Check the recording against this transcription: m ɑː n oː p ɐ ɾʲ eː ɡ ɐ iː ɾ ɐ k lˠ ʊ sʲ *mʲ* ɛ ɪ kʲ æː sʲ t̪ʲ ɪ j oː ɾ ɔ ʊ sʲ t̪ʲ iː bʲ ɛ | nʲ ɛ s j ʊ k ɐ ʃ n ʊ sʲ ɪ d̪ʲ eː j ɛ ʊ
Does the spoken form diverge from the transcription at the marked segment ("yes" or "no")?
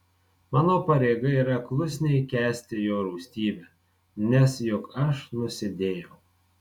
yes